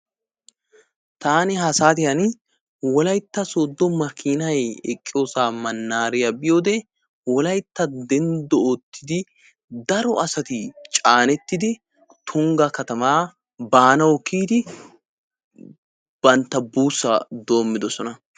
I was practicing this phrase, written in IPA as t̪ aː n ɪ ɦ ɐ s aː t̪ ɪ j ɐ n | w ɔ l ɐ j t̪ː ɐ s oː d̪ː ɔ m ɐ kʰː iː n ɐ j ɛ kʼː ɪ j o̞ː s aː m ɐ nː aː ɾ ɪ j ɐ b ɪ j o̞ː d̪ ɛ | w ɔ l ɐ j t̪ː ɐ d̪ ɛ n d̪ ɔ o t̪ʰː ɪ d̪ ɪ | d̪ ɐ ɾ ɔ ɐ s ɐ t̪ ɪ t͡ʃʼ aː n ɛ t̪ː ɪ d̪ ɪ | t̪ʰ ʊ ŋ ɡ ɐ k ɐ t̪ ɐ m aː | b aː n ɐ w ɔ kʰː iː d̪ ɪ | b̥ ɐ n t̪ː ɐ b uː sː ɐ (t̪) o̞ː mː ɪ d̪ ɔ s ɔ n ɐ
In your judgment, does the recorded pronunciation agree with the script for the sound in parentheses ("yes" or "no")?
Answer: no